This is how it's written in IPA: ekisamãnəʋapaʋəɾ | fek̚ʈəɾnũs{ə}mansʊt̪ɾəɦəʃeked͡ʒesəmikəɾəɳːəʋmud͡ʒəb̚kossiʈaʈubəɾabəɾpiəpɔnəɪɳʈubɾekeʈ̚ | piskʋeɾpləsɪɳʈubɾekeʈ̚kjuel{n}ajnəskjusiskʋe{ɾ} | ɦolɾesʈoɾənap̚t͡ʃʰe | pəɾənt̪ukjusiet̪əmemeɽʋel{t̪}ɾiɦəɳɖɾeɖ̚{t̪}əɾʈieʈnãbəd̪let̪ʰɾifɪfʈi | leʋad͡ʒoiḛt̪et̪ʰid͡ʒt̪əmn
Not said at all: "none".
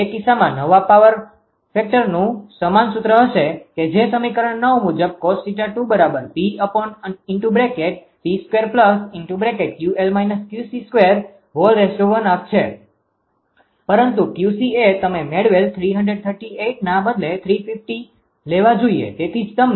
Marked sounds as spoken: ə, m, ɾ, t̪ʰ, t̪ʰ

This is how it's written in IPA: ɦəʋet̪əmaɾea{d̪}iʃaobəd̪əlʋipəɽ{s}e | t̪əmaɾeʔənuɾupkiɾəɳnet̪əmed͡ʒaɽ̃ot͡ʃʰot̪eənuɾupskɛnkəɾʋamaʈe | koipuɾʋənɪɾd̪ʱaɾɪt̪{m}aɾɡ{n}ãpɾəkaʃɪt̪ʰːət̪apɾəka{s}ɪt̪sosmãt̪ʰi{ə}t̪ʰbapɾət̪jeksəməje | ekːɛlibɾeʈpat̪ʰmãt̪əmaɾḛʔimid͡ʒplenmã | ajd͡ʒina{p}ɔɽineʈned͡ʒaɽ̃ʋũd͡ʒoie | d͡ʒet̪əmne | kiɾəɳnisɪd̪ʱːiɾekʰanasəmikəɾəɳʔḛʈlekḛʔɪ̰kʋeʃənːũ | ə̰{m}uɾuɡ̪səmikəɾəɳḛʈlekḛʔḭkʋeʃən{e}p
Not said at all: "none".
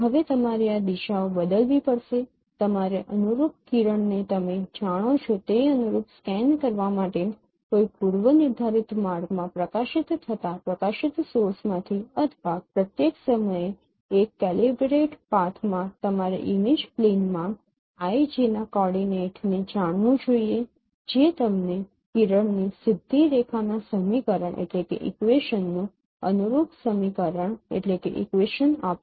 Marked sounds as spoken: d̪, ʃ, m, m, ʃ, ə, k, n, a

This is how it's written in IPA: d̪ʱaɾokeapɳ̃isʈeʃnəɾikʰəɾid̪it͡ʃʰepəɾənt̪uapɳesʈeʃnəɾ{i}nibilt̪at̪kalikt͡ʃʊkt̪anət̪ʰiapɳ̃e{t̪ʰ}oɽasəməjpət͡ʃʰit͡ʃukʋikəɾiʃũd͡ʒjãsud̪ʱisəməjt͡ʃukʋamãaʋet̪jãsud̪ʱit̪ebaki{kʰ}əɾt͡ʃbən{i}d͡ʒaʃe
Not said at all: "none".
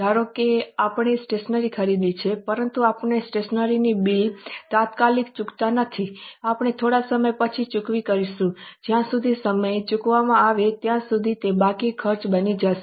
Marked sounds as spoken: i, t̪ʰ, kʰ, i

